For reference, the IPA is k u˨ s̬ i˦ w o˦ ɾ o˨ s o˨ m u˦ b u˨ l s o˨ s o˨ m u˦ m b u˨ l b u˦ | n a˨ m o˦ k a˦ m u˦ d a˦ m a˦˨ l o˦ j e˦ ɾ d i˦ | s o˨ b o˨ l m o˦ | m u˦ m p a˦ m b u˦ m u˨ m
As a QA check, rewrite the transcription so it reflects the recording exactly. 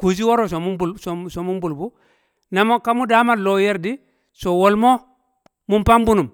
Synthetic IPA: k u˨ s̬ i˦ w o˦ ɾ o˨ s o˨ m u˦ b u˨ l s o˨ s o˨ m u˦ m b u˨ l b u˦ | n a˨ m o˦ k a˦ m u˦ d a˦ m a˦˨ l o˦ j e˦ ɾ d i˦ | s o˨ w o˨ l m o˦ | m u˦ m p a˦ m b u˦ n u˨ m